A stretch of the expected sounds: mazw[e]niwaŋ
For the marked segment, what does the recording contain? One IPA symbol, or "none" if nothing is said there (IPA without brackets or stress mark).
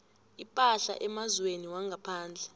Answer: e